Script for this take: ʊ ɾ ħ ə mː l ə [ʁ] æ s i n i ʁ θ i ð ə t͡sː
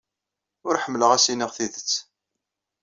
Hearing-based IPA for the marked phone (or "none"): ʁ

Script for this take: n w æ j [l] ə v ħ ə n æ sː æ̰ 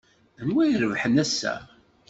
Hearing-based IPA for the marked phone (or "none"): ɾ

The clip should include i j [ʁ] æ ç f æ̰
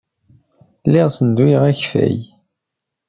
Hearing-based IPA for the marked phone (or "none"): ʁ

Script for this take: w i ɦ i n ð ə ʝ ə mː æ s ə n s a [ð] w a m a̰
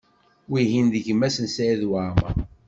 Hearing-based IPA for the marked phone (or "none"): ð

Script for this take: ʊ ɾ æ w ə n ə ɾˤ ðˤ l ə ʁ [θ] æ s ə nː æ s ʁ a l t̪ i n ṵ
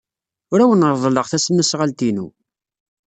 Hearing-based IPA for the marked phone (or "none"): θ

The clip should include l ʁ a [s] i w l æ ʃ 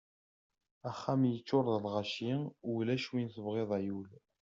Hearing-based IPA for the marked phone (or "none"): ʃ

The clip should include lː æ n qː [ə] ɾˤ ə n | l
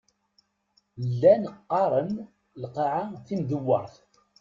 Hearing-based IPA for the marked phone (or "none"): ɑ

